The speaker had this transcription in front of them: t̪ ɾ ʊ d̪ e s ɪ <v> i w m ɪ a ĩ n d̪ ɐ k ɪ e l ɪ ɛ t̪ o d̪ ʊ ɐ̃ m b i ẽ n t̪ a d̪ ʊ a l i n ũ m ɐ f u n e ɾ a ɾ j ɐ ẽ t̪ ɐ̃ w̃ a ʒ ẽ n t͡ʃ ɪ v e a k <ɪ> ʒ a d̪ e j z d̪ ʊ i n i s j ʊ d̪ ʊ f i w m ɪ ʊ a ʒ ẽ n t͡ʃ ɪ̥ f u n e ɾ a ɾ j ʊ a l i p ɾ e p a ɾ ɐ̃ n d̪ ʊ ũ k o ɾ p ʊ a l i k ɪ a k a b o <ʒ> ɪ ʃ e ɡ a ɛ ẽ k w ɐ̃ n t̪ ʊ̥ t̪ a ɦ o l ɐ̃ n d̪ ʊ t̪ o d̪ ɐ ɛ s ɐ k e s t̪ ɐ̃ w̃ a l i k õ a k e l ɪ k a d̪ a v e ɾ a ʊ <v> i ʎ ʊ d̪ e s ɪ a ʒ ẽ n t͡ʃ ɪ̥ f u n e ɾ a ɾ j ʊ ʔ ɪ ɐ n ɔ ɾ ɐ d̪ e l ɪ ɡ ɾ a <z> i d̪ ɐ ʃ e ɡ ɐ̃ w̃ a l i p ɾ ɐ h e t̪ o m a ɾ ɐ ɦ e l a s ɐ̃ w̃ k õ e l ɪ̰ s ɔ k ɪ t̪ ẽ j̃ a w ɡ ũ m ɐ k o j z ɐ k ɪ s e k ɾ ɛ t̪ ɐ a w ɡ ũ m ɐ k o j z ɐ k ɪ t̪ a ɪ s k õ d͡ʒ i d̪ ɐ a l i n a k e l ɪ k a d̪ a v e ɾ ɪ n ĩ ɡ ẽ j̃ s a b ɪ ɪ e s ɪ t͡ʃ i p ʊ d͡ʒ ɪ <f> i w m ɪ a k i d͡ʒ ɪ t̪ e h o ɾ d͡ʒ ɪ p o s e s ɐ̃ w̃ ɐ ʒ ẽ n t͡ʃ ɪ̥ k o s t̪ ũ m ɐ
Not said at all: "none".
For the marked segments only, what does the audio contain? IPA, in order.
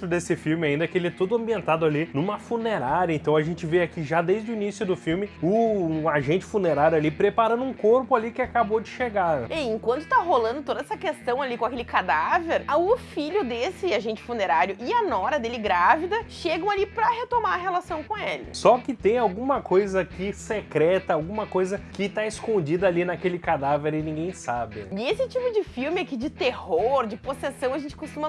f, i, d͡ʒ, f, v, f

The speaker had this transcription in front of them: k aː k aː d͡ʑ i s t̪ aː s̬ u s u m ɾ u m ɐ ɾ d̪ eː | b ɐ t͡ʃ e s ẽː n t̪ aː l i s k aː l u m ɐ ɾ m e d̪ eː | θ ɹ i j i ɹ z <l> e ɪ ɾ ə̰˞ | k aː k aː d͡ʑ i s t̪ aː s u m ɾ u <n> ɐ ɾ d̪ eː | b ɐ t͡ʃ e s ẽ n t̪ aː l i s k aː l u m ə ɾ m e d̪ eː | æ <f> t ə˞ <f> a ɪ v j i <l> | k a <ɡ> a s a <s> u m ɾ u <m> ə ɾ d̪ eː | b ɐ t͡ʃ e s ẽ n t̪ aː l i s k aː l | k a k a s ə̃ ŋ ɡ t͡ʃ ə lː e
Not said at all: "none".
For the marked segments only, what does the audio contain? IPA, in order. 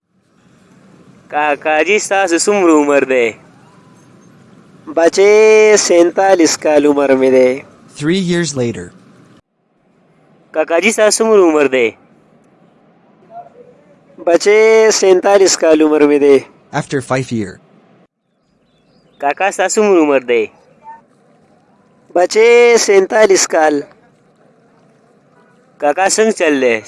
l, m, f, f, ɹ, k, s, m

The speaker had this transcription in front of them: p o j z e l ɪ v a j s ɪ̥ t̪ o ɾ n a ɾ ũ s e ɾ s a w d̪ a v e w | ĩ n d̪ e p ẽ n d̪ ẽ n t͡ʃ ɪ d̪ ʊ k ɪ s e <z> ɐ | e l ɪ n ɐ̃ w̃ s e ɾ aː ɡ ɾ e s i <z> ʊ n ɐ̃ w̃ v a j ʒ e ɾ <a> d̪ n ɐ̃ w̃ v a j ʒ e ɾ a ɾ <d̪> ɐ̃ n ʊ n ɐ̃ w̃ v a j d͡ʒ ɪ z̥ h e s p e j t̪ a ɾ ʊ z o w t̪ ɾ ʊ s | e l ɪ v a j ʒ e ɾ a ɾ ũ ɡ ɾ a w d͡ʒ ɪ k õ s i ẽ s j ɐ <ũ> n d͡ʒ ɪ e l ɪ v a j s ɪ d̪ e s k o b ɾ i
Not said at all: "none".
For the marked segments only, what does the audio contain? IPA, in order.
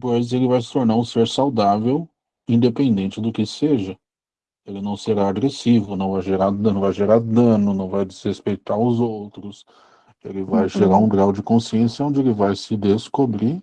ʒ, v, a, d̪, õ

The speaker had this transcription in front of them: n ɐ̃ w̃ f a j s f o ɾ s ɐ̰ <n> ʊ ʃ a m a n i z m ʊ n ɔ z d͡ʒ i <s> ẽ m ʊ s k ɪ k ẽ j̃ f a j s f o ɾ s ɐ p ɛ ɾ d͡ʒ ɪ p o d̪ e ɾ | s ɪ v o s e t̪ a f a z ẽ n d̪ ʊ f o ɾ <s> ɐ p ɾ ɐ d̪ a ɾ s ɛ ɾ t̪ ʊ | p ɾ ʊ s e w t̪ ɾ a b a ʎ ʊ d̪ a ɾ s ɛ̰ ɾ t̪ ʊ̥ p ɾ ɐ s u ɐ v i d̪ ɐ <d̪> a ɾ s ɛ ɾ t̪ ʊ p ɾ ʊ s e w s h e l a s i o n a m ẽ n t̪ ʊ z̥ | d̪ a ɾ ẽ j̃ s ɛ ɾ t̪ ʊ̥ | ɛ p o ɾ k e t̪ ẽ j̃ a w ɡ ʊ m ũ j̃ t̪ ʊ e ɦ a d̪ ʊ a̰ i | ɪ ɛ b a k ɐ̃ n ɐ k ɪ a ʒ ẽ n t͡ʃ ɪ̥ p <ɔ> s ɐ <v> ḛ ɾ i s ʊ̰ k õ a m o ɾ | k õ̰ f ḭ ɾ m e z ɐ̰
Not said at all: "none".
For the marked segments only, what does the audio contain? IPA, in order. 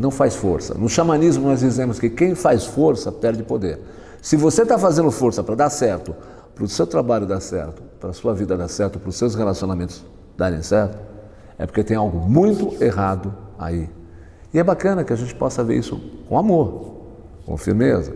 n, z, s, d̪, ɔ, v

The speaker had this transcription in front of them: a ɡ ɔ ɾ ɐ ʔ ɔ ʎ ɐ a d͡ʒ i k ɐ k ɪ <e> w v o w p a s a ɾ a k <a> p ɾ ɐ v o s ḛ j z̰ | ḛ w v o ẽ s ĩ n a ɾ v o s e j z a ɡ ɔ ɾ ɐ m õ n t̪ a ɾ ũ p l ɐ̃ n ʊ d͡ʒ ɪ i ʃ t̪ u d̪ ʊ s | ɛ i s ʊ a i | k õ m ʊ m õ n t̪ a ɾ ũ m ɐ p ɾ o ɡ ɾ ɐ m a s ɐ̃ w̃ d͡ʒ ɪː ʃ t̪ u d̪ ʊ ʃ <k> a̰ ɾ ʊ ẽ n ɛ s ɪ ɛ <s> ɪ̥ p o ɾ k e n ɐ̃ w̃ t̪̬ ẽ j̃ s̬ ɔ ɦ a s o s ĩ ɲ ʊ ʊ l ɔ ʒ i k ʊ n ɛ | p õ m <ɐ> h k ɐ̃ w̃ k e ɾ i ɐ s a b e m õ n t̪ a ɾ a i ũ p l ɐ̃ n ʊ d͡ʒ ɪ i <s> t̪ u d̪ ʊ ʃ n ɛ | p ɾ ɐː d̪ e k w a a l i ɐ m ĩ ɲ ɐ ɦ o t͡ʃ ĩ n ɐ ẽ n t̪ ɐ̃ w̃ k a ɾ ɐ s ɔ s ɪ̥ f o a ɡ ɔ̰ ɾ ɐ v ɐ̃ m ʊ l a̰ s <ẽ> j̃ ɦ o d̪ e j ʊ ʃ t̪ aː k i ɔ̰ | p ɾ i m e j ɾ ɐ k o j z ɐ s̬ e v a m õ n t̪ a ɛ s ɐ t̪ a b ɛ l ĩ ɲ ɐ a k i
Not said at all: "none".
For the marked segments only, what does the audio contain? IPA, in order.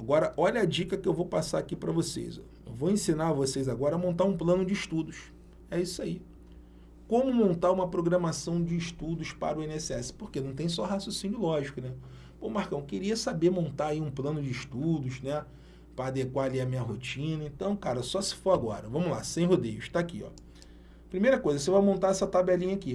e, i, p, s, a, ʃ, ẽ

